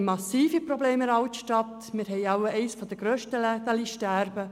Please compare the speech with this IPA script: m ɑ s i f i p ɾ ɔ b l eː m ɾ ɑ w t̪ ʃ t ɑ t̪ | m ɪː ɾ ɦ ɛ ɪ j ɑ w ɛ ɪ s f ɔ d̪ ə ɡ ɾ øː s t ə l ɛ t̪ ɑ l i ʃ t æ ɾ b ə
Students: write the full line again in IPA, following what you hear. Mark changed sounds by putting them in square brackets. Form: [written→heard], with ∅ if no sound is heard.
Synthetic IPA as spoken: m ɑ s [i→iː] f i p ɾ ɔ b l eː m ɾ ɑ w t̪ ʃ t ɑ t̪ | m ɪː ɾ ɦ ɛ ɪ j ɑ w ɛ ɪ s f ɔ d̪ ə ɡ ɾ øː [s→ʃ] t ə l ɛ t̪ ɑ l i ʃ t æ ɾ b ə